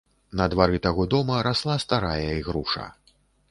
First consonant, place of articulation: alveolar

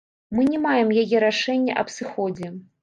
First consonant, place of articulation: labial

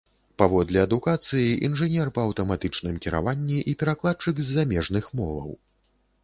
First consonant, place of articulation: labial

